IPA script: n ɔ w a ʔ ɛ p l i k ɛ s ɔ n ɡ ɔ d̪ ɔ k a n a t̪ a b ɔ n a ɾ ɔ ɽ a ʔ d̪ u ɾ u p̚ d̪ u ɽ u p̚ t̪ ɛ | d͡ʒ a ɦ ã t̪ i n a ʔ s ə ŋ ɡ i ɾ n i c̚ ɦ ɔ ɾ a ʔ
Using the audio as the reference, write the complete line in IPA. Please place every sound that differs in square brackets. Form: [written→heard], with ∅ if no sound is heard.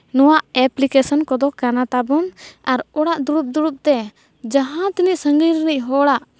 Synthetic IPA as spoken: n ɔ w a ʔ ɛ p l i k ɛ s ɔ n [ɡ→k] ɔ d̪ ɔ k a n a t̪ a b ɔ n a ɾ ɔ ɽ a ʔ d̪ u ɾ u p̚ d̪ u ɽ u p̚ t̪ ɛ | d͡ʒ a ɦ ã t̪ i n [a→i] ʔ s ə ŋ ɡ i ɾ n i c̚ ɦ ɔ [ɾ→ɽ] a ʔ